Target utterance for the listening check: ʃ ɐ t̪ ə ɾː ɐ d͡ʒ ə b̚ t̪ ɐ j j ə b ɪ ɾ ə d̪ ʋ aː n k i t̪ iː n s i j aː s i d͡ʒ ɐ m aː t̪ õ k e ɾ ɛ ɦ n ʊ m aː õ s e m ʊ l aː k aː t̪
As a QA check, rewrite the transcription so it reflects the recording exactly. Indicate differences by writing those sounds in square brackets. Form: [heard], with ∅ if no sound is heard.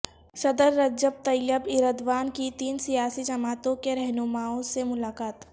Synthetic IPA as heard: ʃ ɐ [d̪] ə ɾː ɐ d͡ʒ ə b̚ t̪ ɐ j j ə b ɪ ɾ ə d̪ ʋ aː n k i t̪ iː n s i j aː s i d͡ʒ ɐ m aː t̪ õ k e ɾ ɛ ɦ n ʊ m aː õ s e m ʊ l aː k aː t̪